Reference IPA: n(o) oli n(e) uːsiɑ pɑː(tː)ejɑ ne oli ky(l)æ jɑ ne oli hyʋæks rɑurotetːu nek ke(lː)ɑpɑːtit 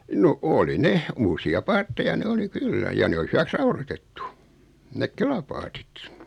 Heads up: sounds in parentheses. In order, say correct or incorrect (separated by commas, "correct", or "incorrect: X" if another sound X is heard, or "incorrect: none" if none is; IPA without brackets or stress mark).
correct, correct, correct, incorrect: lː, incorrect: l